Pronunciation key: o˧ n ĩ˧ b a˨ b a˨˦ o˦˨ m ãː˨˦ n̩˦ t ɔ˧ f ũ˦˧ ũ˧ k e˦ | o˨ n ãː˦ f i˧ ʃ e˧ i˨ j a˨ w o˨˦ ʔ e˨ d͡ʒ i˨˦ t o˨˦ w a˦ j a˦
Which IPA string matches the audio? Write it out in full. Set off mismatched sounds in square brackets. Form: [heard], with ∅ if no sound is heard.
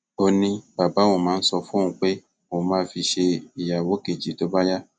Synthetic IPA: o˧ n ĩ˧ b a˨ b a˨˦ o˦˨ m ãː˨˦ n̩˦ [s] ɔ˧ f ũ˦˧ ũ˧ [k͡p] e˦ | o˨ [m] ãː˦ f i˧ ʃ e˧ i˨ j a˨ w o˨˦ [k] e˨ d͡ʒ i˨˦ t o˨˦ [b] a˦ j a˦